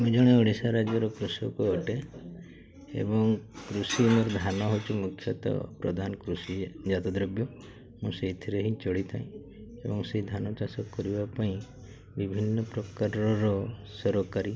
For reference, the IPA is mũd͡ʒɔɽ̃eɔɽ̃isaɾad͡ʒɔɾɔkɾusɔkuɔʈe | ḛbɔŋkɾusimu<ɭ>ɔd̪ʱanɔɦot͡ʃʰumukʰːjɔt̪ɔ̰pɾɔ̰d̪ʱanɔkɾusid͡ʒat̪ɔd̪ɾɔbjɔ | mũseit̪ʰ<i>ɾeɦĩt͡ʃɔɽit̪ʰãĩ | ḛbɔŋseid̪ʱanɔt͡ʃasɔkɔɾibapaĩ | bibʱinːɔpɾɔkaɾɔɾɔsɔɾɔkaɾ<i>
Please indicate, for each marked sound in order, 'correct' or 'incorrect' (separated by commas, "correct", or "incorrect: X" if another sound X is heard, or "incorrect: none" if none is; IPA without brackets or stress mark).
incorrect: ɾ, correct, correct